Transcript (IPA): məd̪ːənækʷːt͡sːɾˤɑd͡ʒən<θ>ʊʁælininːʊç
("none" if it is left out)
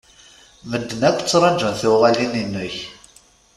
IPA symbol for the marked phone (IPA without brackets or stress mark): θ